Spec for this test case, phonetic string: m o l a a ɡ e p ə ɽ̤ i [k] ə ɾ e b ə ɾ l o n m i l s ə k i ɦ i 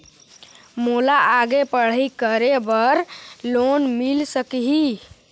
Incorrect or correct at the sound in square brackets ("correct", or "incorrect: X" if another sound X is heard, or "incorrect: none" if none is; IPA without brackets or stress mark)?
correct